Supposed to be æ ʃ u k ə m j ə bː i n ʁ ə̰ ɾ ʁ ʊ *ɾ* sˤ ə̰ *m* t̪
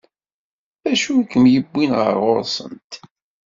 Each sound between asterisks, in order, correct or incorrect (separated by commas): correct, incorrect